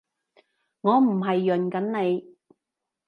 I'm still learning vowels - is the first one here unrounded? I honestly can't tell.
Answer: no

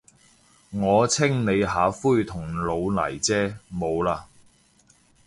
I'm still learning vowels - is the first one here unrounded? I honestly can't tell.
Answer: no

